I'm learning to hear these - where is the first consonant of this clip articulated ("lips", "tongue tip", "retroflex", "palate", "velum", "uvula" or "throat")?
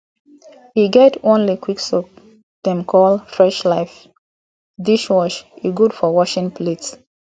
throat